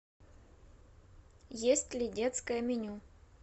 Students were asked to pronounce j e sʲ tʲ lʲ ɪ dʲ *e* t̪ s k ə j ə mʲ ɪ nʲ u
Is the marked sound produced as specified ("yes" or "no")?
yes